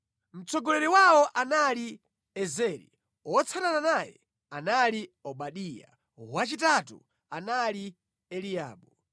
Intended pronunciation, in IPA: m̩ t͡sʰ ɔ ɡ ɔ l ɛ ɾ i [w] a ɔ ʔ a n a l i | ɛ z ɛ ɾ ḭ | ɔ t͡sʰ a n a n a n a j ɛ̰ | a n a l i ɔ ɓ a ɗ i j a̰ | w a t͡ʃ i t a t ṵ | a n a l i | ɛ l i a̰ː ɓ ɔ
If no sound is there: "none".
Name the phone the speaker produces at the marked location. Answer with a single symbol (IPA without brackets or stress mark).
w